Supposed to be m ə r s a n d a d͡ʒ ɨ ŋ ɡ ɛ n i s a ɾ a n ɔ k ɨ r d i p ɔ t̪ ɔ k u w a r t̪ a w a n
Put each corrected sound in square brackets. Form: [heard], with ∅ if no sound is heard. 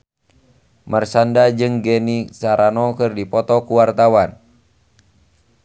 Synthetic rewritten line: m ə r s a n d a d͡ʒ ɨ ŋ ɡ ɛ n i s a ɾ a n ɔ k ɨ r d i p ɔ t̪ ɔ k u w a r t̪ a w a n